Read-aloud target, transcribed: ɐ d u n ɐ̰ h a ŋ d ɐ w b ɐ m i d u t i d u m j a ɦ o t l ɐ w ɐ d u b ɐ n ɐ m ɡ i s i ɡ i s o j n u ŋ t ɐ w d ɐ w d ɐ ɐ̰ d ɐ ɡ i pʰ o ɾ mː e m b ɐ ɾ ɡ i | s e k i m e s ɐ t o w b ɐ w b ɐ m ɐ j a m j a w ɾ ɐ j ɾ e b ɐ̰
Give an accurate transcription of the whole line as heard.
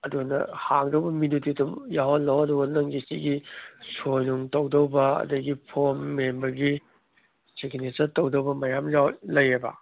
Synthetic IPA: ɐ d u n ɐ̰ h a ŋ d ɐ w b ɐ m i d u t i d u m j a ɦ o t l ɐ w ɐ d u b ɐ n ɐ ŋ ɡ i s i ɡ i s o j n u ŋ t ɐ w d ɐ w b ɐ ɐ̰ d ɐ ɡ i pʰ o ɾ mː e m b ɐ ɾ ɡ i | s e k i n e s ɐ t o w d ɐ w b ɐ m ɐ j a m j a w l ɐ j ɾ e b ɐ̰

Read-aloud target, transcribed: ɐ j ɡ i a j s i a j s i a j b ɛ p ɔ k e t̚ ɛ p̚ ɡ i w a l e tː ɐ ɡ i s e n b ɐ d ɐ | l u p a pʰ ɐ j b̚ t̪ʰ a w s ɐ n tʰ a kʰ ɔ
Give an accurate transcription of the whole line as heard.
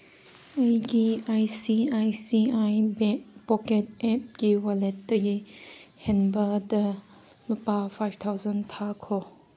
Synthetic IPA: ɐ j ɡ i a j s i a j s i a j b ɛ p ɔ k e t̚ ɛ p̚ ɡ i w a l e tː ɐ ɡ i h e n b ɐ d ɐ | l u p a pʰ a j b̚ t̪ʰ a w z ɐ n tʰ a kʰ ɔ

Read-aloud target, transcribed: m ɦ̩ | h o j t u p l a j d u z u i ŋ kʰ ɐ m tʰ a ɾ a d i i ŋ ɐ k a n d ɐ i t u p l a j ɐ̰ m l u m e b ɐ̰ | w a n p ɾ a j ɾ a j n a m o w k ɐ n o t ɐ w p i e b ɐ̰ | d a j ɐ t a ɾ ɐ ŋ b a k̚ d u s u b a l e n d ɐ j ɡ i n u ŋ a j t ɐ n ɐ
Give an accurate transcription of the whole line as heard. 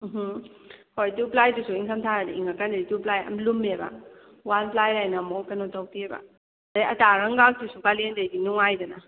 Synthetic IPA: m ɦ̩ | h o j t u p l a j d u s u i ŋ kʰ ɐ m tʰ a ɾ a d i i ŋ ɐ k a n d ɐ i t u p l a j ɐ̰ m l u m e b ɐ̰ | w a n p l a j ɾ a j n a m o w k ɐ n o t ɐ w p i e b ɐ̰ | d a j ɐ t a ɾ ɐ ŋ ɡ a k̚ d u s u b a l e n d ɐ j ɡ i n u ŋ a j d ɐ n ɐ

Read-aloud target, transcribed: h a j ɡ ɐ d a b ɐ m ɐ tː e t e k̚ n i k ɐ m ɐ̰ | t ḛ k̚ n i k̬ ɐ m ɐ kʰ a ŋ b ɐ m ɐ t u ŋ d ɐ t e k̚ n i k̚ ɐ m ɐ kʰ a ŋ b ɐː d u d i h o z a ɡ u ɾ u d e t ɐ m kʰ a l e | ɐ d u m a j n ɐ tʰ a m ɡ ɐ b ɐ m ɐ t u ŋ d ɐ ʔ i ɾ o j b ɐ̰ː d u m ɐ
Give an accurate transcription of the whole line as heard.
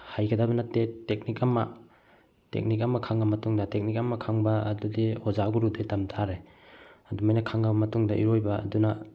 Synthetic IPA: h a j ɡ ɐ d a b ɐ n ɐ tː e t e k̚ n i k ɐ m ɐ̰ | t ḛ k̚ n i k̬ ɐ m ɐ kʰ a ŋ b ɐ m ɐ t u ŋ d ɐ t e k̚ n i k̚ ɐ m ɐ kʰ a ŋ b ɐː d u d i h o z a ɡ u ɾ u d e t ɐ m tʰ a ɾ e | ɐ d u m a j n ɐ kʰ a ŋ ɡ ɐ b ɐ m ɐ t u ŋ d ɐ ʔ i ɾ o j b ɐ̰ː d u n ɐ

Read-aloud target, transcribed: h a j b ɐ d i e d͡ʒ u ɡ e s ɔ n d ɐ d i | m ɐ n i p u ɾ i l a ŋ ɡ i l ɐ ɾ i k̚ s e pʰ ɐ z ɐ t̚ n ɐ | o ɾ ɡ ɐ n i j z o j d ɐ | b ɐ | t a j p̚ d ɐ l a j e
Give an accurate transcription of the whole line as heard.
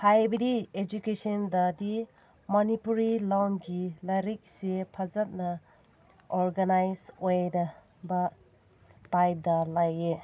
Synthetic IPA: h a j b ɐ d i e d͡ʒ u k e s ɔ n d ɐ d i | m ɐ n i p u ɾ i l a ŋ ɡ i l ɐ ɾ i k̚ s e pʰ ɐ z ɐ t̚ n ɐ | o ɾ ɡ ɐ n a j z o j d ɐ | b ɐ | t a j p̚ d ɐ l a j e

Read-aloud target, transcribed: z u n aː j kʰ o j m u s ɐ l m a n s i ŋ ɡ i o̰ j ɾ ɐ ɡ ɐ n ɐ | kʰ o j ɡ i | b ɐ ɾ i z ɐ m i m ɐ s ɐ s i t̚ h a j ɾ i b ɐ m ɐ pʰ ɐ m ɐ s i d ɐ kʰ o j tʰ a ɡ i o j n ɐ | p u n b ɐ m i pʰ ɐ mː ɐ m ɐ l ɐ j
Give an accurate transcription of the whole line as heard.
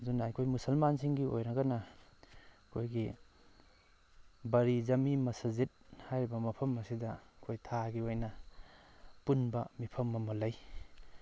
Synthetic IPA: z u n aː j kʰ o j m u s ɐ l m a n s i ŋ ɡ i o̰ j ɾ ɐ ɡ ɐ n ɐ | kʰ o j ɡ i | b ɐ ɾ i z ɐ m i m ɐ s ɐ z i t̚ h a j ɾ i b ɐ m ɐ pʰ ɐ m ɐ s i d ɐ kʰ o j tʰ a ɡ i o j n ɐ | p u n b ɐ m i pʰ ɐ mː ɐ m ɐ l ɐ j

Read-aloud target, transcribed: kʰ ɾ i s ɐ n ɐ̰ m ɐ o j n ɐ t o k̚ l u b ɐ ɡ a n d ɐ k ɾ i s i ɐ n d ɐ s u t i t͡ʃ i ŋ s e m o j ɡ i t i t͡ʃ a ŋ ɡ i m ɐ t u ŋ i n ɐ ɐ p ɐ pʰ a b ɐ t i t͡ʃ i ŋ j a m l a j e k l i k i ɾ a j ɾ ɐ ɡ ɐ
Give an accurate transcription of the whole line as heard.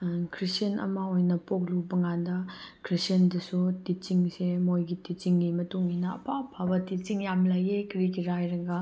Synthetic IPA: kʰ ɾ i s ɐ n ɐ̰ m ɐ o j n ɐ p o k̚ l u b ɐ ŋ a n d ɐ k ɾ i s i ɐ n d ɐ s u t i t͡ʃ i ŋ s e m o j ɡ i t i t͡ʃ i ŋ ɡ i m ɐ t u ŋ i n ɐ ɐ p a pʰ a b ɐ t i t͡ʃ i ŋ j a m l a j e k ɾ i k i ɾ a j ɾ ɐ ɡ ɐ

